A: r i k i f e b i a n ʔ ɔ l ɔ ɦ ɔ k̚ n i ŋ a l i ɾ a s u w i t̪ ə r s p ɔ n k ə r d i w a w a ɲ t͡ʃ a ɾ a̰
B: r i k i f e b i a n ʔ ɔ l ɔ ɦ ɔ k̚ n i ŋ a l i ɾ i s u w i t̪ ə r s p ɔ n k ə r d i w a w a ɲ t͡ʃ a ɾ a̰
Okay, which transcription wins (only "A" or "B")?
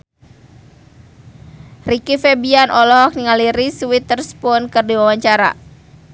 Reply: B